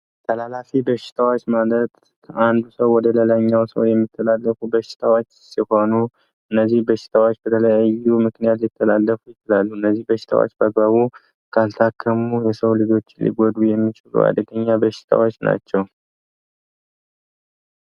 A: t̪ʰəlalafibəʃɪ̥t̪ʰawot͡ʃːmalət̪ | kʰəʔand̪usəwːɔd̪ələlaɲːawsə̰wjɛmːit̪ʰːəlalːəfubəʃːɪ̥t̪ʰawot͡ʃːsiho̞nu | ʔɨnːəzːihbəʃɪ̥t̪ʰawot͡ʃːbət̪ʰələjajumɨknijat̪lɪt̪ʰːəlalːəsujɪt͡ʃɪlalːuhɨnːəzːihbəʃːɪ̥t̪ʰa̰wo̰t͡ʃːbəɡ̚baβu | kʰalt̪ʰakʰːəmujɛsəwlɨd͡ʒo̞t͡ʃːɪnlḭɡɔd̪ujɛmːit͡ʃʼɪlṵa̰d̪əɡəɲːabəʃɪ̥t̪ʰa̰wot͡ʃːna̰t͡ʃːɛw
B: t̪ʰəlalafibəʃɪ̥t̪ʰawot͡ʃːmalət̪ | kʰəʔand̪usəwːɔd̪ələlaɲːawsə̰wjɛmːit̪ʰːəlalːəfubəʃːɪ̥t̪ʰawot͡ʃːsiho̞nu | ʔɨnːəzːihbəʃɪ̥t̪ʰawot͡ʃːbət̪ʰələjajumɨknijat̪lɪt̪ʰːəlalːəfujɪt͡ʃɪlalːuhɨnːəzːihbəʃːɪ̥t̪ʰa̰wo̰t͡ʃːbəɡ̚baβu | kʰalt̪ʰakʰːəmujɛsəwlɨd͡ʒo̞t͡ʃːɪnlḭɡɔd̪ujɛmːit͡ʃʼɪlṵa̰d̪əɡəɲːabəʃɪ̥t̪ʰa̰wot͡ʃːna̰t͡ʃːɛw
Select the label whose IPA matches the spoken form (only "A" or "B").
B